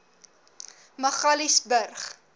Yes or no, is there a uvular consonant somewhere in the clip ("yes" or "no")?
yes